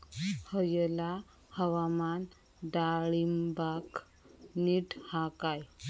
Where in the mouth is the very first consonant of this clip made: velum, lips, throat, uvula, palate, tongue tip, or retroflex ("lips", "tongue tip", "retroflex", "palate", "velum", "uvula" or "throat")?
throat